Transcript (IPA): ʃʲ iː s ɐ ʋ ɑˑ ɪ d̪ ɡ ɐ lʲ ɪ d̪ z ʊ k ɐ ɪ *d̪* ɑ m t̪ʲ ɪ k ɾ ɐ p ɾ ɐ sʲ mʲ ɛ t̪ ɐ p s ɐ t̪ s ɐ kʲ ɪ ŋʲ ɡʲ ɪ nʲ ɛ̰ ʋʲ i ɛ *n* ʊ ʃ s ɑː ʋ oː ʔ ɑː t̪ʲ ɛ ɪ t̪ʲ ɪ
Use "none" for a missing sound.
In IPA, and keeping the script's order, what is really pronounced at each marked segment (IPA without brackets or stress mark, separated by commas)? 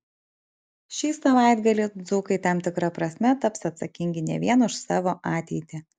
t̪, n